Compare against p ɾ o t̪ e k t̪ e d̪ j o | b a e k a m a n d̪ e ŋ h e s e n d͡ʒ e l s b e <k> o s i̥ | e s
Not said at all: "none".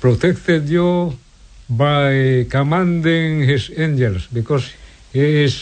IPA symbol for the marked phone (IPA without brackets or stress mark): k